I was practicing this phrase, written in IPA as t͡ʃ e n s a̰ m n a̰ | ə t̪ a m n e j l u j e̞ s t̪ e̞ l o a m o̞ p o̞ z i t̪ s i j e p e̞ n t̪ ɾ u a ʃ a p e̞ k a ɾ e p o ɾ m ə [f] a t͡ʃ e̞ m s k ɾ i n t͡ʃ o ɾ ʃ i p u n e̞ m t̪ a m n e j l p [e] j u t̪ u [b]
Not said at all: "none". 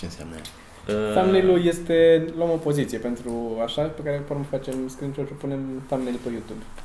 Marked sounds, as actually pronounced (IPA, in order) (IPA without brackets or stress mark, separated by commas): f, e, b